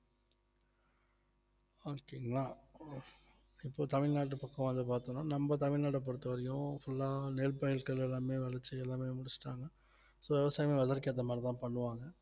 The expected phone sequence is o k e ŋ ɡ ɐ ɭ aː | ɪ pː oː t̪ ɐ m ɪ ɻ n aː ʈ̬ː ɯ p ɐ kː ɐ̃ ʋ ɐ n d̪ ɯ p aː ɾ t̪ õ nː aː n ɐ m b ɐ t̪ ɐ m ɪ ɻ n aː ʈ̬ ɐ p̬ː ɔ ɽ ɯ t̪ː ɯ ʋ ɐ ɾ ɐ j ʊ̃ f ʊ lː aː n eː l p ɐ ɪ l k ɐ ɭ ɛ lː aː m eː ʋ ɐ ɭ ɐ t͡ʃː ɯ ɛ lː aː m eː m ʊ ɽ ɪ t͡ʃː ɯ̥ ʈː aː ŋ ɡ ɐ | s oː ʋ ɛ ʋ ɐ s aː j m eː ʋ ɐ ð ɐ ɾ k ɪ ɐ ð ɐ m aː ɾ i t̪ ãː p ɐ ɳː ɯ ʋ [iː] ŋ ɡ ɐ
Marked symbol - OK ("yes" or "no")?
no